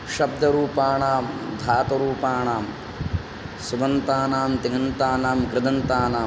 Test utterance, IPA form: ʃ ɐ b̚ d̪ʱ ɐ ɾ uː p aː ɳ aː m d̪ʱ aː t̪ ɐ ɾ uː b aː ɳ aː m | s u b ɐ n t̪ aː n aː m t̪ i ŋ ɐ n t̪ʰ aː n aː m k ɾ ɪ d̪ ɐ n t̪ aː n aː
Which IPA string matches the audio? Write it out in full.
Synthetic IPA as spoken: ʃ ɐ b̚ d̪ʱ ɐ ɾ uː p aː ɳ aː m d̪ʱ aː t̪ ɐ ɾ uː p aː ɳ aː m | s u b ɐ n t̪ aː n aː m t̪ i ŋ ɐ n t̪ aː n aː m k ɾ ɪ d̪ ɐ n t̪ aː n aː